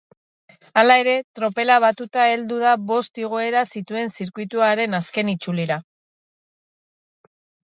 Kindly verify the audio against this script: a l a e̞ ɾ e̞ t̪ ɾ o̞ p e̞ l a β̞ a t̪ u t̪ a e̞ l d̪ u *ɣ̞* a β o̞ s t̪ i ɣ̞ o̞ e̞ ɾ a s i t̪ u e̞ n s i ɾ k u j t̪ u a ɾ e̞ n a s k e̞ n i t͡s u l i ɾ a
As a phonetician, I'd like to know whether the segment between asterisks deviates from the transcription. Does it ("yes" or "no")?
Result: yes